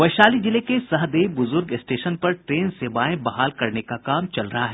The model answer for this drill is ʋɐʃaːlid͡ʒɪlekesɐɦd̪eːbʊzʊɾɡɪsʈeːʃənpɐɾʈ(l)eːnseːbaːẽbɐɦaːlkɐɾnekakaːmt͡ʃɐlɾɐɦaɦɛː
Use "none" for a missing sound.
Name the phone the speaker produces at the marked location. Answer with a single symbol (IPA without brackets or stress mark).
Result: ɾ